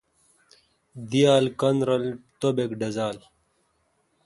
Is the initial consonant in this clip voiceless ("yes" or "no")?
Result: no